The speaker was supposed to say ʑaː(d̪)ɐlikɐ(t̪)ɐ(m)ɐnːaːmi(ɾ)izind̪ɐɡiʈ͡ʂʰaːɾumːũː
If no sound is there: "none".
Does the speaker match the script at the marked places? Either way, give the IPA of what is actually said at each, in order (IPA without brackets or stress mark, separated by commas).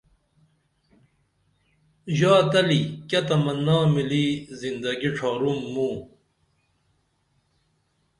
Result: t̪, t̪, m, l